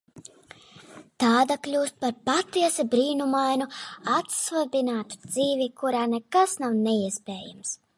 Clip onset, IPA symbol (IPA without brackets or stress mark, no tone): t̪